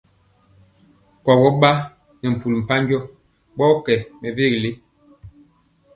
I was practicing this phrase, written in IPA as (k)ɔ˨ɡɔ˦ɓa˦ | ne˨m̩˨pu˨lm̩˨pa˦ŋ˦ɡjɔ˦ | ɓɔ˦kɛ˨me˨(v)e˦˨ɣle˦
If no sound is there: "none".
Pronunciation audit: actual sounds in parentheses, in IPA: k, v

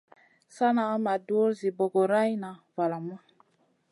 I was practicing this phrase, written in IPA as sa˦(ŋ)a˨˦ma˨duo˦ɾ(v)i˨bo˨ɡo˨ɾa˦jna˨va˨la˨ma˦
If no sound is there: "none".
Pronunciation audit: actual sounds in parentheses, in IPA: n, z

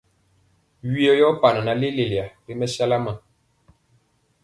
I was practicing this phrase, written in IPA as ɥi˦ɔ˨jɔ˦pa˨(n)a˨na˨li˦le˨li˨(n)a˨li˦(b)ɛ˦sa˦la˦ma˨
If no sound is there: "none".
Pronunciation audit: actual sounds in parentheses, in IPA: n, none, m

